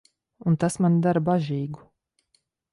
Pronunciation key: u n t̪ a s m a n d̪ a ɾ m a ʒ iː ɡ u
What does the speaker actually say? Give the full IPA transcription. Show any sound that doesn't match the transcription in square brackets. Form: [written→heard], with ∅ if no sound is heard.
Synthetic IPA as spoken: u n t̪ a s m a n d̪ a ɾ [m→b] a ʒ iː ɡ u